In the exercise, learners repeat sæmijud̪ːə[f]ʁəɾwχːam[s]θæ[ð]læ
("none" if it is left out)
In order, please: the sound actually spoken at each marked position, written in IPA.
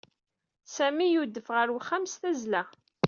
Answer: f, s, z

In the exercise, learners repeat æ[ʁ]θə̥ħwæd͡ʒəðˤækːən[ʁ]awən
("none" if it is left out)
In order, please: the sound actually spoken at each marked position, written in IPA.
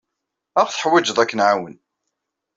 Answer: ʁ, ʕ

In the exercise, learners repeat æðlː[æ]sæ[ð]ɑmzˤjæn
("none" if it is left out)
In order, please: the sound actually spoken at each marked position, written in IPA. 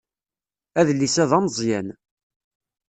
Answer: i, ð

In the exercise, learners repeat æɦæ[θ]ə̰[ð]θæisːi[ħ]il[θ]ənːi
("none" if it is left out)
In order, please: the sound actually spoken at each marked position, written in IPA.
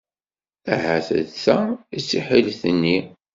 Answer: θ, ð, ħ, θ

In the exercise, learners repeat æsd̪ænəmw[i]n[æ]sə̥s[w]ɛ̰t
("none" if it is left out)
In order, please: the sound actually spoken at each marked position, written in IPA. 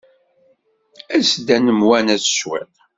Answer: æ, æ, w

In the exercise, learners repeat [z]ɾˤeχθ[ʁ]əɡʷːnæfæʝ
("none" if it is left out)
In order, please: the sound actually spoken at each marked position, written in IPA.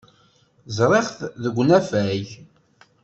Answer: z, ð

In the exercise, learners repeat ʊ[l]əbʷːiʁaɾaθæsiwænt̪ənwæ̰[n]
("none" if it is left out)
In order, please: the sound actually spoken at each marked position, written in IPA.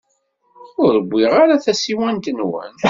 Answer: ɾ, n

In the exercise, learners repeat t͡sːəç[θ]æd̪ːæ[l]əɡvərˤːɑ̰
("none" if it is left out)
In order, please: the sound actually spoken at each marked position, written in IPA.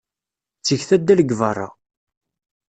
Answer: θ, l

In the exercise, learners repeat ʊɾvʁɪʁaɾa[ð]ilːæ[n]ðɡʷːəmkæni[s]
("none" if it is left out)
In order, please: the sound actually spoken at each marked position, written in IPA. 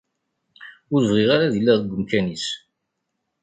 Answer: ð, none, s

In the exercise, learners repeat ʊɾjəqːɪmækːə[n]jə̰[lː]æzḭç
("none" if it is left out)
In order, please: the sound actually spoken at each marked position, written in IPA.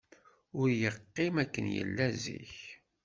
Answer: n, lː

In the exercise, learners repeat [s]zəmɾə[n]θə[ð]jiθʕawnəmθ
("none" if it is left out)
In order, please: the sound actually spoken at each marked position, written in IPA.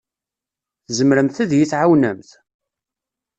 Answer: θ, m, ð

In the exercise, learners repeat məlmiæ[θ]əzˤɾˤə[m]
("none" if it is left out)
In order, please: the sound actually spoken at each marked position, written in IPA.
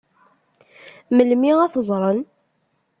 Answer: θ, n

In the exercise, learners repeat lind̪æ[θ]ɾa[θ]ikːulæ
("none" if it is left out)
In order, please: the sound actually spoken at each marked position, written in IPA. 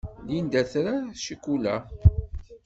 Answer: θ, ʃ

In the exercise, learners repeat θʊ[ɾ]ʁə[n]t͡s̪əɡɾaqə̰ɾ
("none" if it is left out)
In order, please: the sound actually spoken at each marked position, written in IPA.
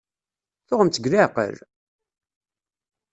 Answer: none, m

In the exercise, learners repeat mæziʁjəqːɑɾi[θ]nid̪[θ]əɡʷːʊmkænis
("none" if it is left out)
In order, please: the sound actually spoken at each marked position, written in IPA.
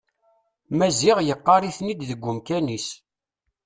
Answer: θ, ð

